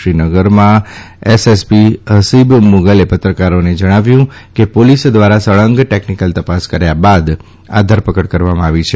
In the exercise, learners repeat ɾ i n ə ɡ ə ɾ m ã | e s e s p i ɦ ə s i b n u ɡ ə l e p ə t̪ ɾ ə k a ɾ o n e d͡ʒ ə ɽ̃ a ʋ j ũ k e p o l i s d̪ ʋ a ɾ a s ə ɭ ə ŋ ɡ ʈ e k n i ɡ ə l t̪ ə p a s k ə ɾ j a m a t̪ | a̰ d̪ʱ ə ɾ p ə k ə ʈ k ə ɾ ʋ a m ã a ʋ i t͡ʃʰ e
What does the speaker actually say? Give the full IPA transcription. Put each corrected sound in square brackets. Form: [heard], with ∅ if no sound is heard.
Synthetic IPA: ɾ i n ə ɡ ə ɾ m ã | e s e s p i ɦ ə s i b [m] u ɡ ə l e p ə t̪ ɾ ə k a ɾ o n e d͡ʒ ə ɽ̃ a ʋ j ũ k e p o l i s d̪ ʋ a ɾ a s ə ɭ ə ŋ ɡ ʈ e k n i [k] ə l t̪ ə p a s k ə ɾ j a [b] a [d̪] | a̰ d̪ʱ ə ɾ p ə k ə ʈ k ə ɾ ʋ a m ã a ʋ i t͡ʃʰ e

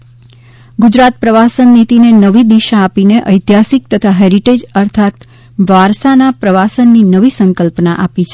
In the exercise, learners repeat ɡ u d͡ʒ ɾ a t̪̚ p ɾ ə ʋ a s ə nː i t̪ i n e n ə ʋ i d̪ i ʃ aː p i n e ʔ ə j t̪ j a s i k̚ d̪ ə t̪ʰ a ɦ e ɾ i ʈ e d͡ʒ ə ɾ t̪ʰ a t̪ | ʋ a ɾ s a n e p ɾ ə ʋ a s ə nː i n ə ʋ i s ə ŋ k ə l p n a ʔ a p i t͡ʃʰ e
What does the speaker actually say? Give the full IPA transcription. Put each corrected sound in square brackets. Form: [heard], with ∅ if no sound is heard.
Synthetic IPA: ɡ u d͡ʒ ɾ a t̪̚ p ɾ ə ʋ a s ə nː i t̪ i n e n ə ʋ i d̪ i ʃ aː p i n e ʔ ə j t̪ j a s i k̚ [t̪] ə t̪ʰ a ɦ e ɾ i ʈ e d͡ʒ ə ɾ t̪ʰ a t̪ | ʋ a ɾ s a n [a] p ɾ ə ʋ a s ə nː i n ə ʋ i s ə ŋ k ə l p n a ʔ a p i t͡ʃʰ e

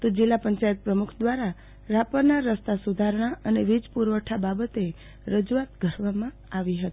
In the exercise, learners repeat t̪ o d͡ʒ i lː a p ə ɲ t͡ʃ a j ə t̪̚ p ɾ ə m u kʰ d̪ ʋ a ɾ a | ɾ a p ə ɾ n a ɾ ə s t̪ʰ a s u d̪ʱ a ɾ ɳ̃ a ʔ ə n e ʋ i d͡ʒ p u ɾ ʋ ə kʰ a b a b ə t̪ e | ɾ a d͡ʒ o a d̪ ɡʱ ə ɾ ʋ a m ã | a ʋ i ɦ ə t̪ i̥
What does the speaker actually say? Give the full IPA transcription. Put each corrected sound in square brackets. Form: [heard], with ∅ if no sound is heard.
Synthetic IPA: t̪ o d͡ʒ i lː a p ə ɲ t͡ʃ a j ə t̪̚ p ɾ ə m u kʰ d̪ ʋ a ɾ a | ɾ a p ə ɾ n a ɾ ə s [t̪] a s u d̪ʱ a ɾ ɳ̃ a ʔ ə n e ʋ i d͡ʒ p u ɾ ʋ ə [ʈʰ] a b a b ə t̪ e | ɾ [ə] d͡ʒ [u] a [t̪] ɡʱ ə ɾ ʋ a m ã | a ʋ i ɦ ə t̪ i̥

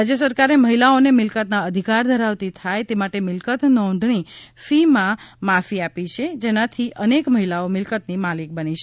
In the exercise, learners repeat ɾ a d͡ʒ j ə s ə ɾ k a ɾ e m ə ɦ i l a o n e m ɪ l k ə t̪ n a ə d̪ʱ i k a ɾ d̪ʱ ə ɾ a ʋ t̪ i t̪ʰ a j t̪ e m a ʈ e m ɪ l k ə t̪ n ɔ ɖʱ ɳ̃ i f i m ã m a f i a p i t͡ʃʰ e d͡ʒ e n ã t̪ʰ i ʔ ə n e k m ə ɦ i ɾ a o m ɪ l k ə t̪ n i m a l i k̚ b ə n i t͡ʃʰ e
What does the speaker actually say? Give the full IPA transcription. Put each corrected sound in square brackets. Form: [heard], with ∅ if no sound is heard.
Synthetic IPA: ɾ a d͡ʒ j ə s ə ɾ k a ɾ e m ə ɦ i l a o n e m ɪ l k ə t̪ n a ə d̪ʱ i k a ɾ d̪ʱ ə ɾ a ʋ t̪ i t̪ʰ a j t̪ e m a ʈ e m ɪ l k ə t̪ n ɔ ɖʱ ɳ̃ i f i m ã m a f i a p i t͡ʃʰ e d͡ʒ e n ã t̪ʰ i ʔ ə n e k m ə ɦ i [l] a o m ɪ l k ə t̪ n i m a l i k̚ b ə n i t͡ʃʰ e

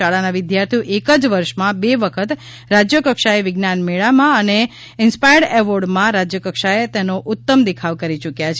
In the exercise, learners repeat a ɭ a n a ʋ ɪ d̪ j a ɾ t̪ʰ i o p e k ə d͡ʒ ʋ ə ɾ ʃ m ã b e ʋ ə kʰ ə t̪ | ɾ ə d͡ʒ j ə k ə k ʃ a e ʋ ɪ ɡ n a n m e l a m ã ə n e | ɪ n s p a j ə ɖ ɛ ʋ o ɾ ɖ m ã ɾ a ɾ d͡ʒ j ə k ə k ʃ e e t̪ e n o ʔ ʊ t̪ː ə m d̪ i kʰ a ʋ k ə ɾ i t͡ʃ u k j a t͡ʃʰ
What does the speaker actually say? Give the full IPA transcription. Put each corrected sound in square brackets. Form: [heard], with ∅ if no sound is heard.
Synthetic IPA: a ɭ a n a ʋ ɪ d̪ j a ɾ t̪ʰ i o [ʔ] e k ə d͡ʒ ʋ ə ɾ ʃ m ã b e ʋ ə kʰ ə t̪ | ɾ [a] d͡ʒ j ə k ə k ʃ a e ʋ ɪ ɡ n a n m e [ɭ] a m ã ə n e | ɪ n s p a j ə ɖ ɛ ʋ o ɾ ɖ m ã ɾ a [∅] d͡ʒ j ə k ə k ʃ [a] e t̪ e n o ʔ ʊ t̪ː ə m d̪ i kʰ a ʋ k ə ɾ i t͡ʃ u k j a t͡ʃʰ

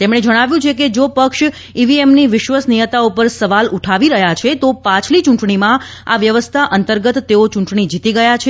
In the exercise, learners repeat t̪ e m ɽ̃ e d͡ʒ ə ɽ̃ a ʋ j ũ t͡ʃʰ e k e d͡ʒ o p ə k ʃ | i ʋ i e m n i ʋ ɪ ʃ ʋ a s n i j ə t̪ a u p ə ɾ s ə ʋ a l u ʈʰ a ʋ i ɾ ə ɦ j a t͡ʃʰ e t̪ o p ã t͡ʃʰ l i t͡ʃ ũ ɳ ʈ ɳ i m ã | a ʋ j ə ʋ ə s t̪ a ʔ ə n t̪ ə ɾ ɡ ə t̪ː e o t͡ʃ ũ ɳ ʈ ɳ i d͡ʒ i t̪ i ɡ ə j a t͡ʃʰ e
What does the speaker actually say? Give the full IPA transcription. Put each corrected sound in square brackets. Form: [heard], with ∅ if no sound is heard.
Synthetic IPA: t̪ e m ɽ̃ e d͡ʒ ə ɽ̃ a ʋ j ũ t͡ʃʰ e k e d͡ʒ o p ə k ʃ | i ʋ i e m n i ʋ ɪ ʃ ʋ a s n i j ə t̪ a u p ə ɾ s ə ʋ a l u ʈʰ a ʋ i ɾ ə ɦ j a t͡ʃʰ e t̪ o p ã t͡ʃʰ l i t͡ʃ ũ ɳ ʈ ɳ i m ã | a ʋ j ə ʋ ə s [t̪ʰ] a ʔ ə n t̪ ə ɾ ɡ ə t̪ː e o t͡ʃ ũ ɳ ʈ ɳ i d͡ʒ i t̪ i ɡ ə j a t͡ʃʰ e

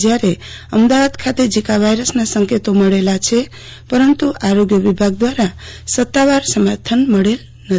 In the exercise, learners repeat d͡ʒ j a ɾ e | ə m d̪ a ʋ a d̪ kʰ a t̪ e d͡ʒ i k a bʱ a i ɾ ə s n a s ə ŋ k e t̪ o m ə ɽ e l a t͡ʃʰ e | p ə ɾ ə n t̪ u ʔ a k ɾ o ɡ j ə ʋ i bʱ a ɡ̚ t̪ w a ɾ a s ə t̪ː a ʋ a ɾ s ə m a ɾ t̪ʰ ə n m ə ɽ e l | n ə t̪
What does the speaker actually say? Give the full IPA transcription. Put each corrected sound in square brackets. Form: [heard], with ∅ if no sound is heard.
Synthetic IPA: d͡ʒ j a ɾ e | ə m d̪ a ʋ a d̪ kʰ a t̪ e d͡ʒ i k a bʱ a [j] ɾ ə s n a s ə ŋ k e t̪ o m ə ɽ e l a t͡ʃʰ e | p ə ɾ ə n t̪ u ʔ a [∅] ɾ o ɡ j ə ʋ i bʱ a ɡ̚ [d̪] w a ɾ a s ə t̪ː a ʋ a ɾ s ə m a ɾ t̪ʰ ə n m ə ɽ e l | n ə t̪

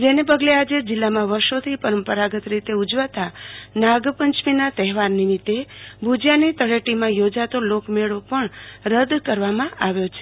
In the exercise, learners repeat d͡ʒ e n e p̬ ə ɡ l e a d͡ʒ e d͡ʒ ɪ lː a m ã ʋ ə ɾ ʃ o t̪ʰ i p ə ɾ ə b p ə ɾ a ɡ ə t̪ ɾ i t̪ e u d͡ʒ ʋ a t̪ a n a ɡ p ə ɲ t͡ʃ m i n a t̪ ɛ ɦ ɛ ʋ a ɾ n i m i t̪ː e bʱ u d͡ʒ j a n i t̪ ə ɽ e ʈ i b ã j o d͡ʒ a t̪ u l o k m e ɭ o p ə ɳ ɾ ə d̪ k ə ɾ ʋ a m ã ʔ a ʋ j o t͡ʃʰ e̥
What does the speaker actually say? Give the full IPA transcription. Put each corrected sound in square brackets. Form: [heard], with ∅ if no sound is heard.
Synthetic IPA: d͡ʒ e n e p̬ ə ɡ l e a d͡ʒ e d͡ʒ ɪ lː a m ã ʋ ə ɾ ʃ o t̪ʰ i p ə ɾ ə [m] p ə ɾ a ɡ ə t̪ ɾ i t̪ e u d͡ʒ ʋ a t̪ a n a ɡ p ə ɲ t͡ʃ m i n a t̪ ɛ ɦ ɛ ʋ a ɾ n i m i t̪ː e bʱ u d͡ʒ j a n i t̪ ə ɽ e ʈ i [m] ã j o d͡ʒ a t̪ [o] l o k m e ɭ o p ə ɳ ɾ ə d̪ k ə ɾ ʋ a m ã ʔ a ʋ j o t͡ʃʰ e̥

